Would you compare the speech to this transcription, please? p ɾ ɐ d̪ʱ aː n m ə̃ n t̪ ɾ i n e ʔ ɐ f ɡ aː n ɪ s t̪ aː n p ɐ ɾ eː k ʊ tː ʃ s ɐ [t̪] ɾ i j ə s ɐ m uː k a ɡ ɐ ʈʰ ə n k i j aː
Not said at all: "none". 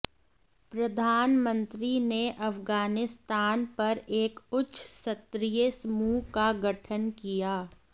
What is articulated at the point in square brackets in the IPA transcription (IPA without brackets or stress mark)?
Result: t̪